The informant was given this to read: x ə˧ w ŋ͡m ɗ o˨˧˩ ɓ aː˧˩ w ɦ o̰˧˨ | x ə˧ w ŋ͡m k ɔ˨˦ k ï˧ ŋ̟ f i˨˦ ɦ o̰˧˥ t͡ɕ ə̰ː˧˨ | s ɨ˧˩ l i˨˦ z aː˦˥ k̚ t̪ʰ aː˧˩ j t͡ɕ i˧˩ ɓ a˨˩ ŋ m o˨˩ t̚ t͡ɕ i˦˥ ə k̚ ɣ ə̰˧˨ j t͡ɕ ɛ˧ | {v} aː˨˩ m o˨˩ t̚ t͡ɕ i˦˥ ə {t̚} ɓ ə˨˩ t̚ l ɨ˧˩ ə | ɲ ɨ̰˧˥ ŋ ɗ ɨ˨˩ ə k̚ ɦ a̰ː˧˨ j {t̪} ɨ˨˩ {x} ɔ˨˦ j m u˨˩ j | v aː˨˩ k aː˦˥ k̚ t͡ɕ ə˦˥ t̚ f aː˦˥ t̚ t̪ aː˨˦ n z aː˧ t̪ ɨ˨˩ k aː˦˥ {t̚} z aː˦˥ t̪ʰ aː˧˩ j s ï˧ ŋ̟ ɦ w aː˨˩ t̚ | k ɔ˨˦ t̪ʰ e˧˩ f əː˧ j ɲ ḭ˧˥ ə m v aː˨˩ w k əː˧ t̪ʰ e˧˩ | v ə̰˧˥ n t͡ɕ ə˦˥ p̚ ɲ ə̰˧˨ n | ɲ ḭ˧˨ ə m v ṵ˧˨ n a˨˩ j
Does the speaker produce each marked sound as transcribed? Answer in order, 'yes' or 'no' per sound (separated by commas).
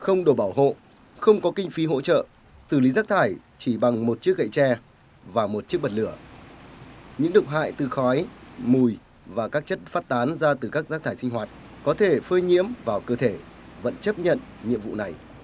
yes, no, yes, yes, no